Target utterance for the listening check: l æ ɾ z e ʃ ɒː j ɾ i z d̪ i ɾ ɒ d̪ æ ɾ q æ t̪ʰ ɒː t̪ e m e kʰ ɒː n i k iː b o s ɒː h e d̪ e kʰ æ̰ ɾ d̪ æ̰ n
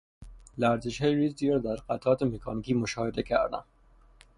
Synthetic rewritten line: l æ ɾ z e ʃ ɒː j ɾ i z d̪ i ɾ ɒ d̪ æ ɾ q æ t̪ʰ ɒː t̪ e m e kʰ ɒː n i k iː m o ʃ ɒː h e d̪ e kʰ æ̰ ɾ d̪ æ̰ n